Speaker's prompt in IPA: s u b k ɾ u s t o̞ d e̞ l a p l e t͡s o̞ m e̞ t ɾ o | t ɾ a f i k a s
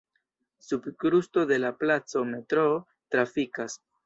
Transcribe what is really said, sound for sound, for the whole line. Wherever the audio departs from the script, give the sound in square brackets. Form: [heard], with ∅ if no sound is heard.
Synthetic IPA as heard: s u b k ɾ u s t o̞ d e̞ l a p l [a] t͡s o̞ m e̞ t ɾ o | t ɾ a f i k a s